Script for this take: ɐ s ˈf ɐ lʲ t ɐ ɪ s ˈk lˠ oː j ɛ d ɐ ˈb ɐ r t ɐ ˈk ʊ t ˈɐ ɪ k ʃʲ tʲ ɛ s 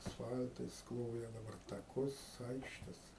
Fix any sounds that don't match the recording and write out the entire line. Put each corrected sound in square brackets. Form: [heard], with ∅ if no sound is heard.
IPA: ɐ s ˈf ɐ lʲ t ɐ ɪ s ˈk lˠ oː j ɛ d ɐ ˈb ɐ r t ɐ ˈk ʊ [s] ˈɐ ɪ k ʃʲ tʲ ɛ s